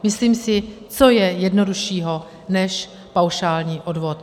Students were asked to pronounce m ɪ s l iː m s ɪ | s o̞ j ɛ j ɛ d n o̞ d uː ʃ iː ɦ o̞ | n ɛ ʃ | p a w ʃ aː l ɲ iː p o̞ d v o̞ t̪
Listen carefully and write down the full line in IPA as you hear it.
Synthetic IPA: m ɪ s l iː m s ɪ | t͡s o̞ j ɛ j ɛ d n o̞ d u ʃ iː ɦ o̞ | n ɛ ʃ | p a w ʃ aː l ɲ iː ʔ o̞ d v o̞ t̪